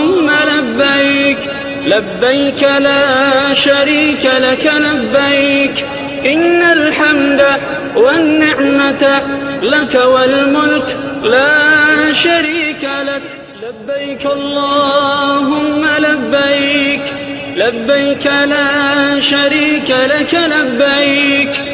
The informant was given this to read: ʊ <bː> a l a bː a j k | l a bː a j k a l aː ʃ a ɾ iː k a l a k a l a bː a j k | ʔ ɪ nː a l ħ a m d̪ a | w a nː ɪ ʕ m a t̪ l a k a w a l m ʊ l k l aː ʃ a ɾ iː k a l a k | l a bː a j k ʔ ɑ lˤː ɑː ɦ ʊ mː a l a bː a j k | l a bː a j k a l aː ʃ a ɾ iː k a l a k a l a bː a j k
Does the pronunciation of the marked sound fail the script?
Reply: yes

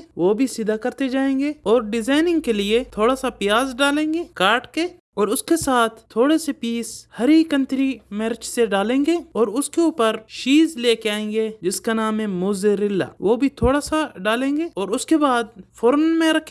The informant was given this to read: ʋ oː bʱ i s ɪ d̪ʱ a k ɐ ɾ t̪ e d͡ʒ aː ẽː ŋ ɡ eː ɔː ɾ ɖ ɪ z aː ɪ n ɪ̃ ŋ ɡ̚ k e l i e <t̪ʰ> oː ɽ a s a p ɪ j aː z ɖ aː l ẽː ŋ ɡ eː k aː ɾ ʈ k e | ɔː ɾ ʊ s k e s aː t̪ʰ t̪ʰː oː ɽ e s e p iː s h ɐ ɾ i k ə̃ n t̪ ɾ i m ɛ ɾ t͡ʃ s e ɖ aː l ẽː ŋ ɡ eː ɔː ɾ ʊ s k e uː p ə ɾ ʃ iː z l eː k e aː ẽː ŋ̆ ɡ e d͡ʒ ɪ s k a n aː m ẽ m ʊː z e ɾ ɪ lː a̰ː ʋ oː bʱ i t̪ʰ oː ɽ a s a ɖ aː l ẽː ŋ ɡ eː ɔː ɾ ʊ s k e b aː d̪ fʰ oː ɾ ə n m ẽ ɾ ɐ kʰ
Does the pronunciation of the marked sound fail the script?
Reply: no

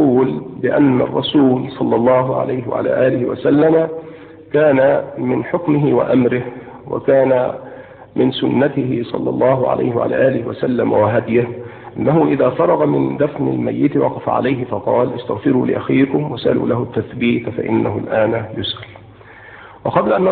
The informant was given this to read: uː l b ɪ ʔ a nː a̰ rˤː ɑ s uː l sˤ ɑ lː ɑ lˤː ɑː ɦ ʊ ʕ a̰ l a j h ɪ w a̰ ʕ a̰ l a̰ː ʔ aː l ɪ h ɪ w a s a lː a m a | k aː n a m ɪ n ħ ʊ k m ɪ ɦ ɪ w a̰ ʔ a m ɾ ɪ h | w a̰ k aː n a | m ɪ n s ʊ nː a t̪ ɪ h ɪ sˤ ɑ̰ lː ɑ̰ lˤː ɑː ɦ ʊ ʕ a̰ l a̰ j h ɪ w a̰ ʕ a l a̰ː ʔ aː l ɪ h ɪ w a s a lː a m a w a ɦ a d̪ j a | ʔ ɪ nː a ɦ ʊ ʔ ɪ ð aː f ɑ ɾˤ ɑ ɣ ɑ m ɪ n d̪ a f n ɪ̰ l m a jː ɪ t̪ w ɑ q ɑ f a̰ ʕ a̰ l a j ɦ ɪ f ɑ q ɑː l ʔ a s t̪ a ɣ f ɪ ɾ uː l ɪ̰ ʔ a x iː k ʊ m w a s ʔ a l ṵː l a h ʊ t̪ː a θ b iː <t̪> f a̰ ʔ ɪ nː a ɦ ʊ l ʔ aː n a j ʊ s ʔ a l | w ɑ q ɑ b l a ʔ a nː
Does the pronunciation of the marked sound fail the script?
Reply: no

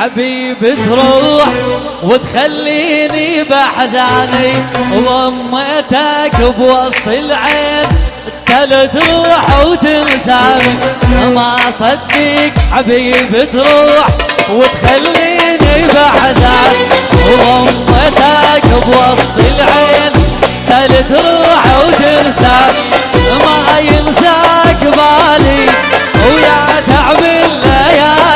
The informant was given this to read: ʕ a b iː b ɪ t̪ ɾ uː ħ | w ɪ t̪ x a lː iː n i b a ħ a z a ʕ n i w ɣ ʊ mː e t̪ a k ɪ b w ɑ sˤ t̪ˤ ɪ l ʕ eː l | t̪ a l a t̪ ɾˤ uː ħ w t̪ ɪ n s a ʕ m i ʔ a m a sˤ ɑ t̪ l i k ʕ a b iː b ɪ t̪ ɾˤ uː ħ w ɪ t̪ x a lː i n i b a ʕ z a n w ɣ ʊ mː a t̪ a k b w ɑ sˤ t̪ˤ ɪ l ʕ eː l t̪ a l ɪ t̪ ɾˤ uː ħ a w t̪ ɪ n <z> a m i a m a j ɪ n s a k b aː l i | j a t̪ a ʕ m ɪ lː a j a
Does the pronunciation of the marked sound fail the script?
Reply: yes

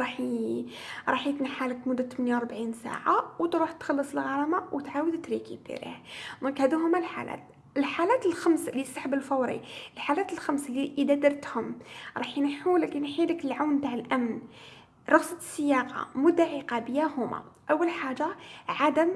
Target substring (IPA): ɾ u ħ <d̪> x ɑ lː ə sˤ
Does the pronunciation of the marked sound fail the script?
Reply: yes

